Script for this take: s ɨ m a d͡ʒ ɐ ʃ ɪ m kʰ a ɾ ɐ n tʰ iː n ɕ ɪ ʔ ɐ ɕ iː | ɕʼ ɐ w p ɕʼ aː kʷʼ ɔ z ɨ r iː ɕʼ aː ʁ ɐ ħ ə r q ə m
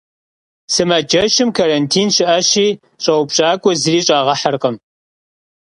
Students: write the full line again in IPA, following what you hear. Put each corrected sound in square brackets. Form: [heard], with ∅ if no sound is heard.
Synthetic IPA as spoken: s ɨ m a d͡ʒ ɐ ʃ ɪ m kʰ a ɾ ɐ n tʰ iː n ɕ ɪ ʔ ɐ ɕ iː | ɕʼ ɐ w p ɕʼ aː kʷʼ ɔ z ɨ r iː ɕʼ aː ʁ ɐ ħ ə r q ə m